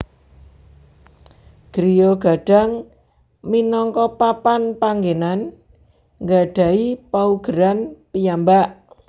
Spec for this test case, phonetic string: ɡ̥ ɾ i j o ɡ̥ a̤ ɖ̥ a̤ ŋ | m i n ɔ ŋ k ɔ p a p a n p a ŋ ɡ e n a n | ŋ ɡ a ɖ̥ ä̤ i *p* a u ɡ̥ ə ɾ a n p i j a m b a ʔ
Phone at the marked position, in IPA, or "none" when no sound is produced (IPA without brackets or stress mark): p